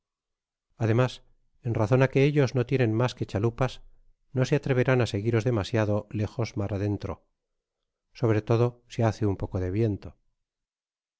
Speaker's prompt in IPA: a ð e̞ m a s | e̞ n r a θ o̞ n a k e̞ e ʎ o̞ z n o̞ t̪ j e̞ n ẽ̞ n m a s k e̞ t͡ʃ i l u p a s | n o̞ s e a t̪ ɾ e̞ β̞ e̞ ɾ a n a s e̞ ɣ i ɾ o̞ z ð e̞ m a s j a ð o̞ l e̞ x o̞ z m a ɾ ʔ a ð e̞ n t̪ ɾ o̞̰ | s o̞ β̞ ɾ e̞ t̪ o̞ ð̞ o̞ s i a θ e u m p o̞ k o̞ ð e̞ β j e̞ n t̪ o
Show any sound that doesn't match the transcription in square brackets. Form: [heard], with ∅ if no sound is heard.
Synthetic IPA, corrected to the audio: a ð e̞ m a s | e̞ n r a θ o̞ n a k e̞ e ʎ o̞ z n o̞ t̪ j e̞ n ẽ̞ n m a s k e̞ t͡ʃ [a] l u p a s | n o̞ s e a t̪ ɾ e̞ β̞ e̞ ɾ a n a s e̞ ɣ i ɾ o̞ z ð e̞ m a s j a ð o̞ l e̞ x o̞ z m a ɾ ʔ a ð e̞ n t̪ ɾ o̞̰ | s o̞ β̞ ɾ e̞ t̪ o̞ ð̞ o̞ s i a θ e u m p o̞ k o̞ ð e̞ β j e̞ n t̪ o

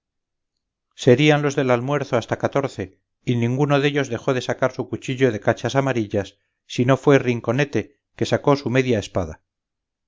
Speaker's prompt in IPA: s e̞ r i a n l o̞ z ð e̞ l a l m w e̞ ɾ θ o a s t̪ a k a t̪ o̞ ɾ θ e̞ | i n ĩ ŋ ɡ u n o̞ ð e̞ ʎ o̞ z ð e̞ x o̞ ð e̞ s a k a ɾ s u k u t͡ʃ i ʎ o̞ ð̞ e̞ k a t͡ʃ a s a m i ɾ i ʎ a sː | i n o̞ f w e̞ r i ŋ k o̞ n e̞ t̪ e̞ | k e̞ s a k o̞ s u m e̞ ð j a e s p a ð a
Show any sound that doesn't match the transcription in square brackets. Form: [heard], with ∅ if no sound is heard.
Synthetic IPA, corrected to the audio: s e̞ [ɾ] i a n l o̞ z ð e̞ l a l m w e̞ ɾ θ o a s t̪ a k a t̪ o̞ ɾ θ e̞ | i n ĩ ŋ ɡ u n o̞ ð e̞ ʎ o̞ z ð e̞ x o̞ ð e̞ s a k a ɾ s u k u t͡ʃ i ʎ o̞ ð̞ e̞ k a t͡ʃ a s a m [a] ɾ i ʎ a sː | i n o̞ f w e̞ r i ŋ k o̞ n e̞ t̪ e̞ | k e̞ s a k o̞ s u m e̞ ð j a e s p a ð a

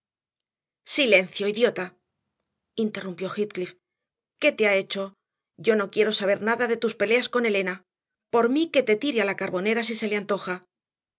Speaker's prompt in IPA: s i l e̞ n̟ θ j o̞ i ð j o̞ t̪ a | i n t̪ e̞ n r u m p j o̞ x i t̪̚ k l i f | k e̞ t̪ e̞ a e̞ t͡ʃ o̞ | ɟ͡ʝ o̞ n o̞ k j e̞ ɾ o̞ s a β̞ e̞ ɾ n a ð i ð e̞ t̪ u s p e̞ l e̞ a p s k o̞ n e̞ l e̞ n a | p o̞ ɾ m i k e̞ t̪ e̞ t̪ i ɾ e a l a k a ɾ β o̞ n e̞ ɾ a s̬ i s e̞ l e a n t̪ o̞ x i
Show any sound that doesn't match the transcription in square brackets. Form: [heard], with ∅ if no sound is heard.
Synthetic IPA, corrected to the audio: s i l e̞ n̟ θ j o̞ i ð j o̞ t̪ a | i n t̪ e̞ [∅] r u m p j o̞ x i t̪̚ k l i f | k e̞ t̪ e̞ a e̞ t͡ʃ o̞ | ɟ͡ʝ o̞ n o̞ k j e̞ ɾ o̞ s a β̞ e̞ ɾ n a ð [a] ð e̞ t̪ u s p e̞ l e̞ a [∅] s k o̞ n e̞ l e̞ n a | p o̞ ɾ m i k e̞ t̪ e̞ t̪ i ɾ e a l a k a ɾ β o̞ n e̞ ɾ a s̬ i s e̞ l e a n t̪ o̞ x [a]

